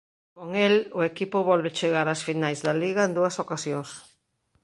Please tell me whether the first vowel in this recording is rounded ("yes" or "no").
yes